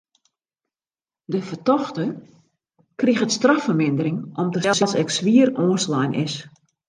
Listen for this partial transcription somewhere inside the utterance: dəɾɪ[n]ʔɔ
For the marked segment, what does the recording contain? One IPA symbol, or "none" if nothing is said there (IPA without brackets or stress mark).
ŋ